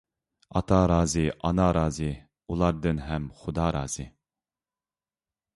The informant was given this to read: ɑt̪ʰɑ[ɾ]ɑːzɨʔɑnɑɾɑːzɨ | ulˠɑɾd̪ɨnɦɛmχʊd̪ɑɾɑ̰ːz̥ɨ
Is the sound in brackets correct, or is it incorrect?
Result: correct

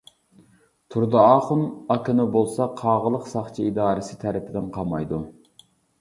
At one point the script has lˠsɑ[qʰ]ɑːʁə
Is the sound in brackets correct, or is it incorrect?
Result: correct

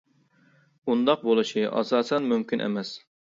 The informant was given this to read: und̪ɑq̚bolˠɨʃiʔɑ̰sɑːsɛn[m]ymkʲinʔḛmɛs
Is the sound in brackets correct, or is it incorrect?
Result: correct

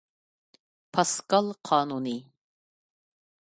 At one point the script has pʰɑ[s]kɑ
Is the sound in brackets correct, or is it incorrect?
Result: correct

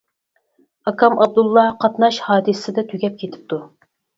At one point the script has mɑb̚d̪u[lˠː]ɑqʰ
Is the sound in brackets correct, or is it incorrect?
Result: correct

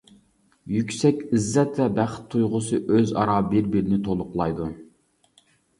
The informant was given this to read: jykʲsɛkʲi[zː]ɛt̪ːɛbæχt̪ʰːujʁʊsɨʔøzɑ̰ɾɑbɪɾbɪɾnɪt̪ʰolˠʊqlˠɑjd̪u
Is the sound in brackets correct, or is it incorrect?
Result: correct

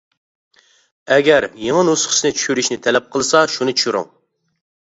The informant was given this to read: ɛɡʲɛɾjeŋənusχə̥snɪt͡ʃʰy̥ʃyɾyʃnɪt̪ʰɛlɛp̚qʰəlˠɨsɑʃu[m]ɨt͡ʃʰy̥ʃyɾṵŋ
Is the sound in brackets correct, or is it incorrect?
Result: incorrect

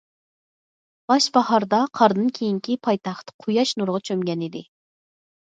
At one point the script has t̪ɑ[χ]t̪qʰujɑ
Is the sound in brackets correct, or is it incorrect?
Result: correct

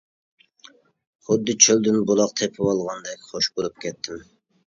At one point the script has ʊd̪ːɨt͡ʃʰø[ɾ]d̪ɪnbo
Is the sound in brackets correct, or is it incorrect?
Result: incorrect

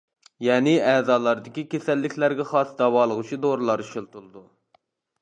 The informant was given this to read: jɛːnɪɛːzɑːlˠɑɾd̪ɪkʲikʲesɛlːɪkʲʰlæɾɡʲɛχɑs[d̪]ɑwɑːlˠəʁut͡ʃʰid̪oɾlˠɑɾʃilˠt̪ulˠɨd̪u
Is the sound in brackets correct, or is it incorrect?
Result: correct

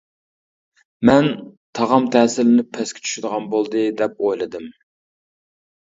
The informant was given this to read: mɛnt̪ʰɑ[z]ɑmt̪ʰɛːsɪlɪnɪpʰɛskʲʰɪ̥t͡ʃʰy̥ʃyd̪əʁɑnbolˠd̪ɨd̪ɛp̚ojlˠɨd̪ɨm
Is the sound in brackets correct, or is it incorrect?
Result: incorrect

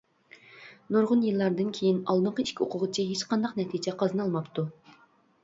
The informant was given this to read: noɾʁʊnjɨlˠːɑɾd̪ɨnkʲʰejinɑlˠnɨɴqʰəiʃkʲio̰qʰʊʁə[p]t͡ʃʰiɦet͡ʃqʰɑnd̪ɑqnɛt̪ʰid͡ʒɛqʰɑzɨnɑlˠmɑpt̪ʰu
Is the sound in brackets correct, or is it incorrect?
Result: incorrect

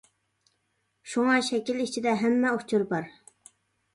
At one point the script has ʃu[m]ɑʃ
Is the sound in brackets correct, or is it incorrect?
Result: incorrect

